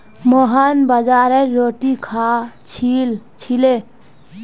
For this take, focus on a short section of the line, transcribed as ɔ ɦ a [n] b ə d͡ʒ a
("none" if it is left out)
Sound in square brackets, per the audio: n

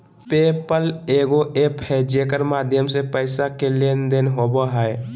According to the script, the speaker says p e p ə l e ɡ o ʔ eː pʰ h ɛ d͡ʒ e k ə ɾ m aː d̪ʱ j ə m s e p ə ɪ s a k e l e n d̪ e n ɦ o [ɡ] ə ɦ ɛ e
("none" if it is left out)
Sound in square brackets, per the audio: b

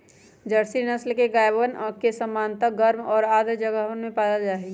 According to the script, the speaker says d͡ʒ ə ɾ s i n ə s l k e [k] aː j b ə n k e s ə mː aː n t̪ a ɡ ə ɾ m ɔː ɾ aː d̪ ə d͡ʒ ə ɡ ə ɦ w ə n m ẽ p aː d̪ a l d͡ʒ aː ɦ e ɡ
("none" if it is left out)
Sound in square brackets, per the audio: ɡ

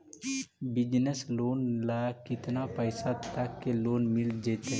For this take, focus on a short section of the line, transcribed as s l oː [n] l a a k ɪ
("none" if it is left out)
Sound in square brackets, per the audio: n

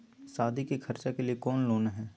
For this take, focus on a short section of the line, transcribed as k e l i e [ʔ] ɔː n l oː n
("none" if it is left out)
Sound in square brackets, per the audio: k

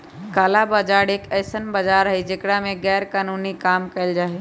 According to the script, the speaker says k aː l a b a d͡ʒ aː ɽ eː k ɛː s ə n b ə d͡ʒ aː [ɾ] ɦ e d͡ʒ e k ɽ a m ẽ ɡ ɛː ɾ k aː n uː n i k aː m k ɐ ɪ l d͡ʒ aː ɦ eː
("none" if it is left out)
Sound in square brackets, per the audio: ɾ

